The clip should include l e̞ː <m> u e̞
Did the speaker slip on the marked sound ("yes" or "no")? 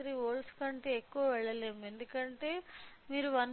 no